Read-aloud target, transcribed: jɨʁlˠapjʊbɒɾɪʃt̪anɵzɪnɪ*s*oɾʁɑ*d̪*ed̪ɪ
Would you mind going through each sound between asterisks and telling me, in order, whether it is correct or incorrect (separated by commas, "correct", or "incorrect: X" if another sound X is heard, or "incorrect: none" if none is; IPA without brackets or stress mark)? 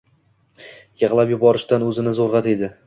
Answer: incorrect: z, incorrect: t̪